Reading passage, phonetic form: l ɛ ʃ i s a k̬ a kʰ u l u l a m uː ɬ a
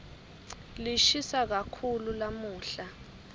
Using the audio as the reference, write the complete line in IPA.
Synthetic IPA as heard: l i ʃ i s a k̬ a kʰ u l u l a m uː ɬ a